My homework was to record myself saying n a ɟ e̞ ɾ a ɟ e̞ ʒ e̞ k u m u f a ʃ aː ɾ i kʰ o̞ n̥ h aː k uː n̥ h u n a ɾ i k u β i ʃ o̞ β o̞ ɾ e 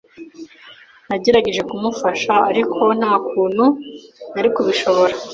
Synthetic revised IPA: n a ɟ e̞ ɾ a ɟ e̞ ʒ e̞ k u m u f a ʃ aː ɾ i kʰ o̞ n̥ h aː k uː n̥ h u n a ɾ i k u β i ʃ o̞ β o̞ ɾ a

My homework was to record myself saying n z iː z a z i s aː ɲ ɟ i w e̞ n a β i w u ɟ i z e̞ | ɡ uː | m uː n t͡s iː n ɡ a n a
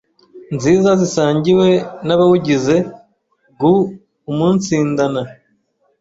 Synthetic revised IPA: n z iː z a z i s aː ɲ ɟ i w e̞ n a β a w u ɟ i z e̞ | ɡ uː | m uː n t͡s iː n d a n a

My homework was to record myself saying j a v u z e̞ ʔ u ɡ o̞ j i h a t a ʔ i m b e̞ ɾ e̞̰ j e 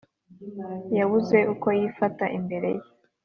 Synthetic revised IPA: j a β u z e̞ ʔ u k o̞ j i f a t a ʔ i m b e̞ ɾ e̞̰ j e

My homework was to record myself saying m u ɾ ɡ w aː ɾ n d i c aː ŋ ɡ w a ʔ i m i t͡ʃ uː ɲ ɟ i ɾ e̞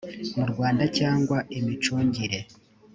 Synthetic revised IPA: m u ɾ ɡ w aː n d a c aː ŋ ɡ w a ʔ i m i t͡ʃ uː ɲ ɟ i ɾ e̞

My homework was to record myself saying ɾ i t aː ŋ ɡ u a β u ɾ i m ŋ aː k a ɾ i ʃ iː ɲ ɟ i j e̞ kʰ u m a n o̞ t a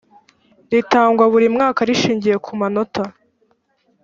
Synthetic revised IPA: ɾ i t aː ŋ ɡ w a β u ɾ i m ŋ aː k a ɾ i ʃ iː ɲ ɟ i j e̞ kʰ u m a n o̞ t a

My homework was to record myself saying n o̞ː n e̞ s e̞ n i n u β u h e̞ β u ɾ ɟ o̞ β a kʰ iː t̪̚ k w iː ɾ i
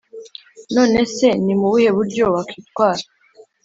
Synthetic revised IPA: n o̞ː n e̞ s e̞ n i m u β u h e̞ β u ɾ ɟ o̞ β a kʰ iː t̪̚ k w aː ɾ a

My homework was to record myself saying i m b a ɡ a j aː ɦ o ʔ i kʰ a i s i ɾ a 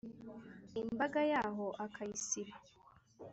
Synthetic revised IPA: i m b a ɡ a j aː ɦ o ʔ a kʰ a i s i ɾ a

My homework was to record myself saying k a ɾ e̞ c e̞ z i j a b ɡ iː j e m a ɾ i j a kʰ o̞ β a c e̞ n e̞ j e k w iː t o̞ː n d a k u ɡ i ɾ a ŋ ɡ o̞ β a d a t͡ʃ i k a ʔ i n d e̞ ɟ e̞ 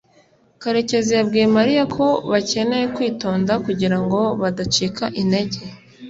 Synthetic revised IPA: k a ɾ e̞ c e̞ z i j a b ɡ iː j e m a ɾ i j a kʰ o̞ β a c e̞ n e̞ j e k w iː t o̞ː n d a k u ɟ i ɾ a ŋ ɡ o̞ β a d a t͡ʃ i k a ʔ i n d e̞ ɟ e̞

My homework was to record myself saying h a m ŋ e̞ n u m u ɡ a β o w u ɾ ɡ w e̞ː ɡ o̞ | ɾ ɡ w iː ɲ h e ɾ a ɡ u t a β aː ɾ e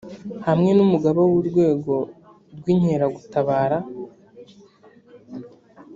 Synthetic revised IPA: h a m ŋ e̞ n u m u ɡ a β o w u ɾ ɡ w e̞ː ɡ o̞ | ɾ ɡ w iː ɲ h e ɾ a ɡ u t a β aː ɾ a

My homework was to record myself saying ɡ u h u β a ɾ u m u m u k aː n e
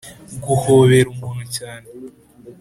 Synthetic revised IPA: ɡ u h o β e ɾ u m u n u c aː n e

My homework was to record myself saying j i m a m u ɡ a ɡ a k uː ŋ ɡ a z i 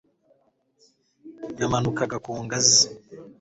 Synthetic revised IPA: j a m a n u k a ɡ a k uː ŋ ɡ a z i

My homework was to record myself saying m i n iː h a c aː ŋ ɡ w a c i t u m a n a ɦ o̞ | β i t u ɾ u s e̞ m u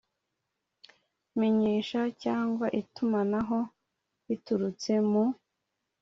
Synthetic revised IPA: m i ɲ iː ʃ a c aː ŋ ɡ w a ʔ i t u m a n a ɦ o̞ | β i t u ɾ u t͡s e̞ m u

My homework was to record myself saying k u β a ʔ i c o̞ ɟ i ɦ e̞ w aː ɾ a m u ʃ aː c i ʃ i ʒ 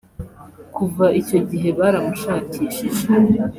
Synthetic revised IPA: k u v a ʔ i c o̞ ɟ i ɦ e̞ β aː ɾ a m u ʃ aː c i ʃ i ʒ

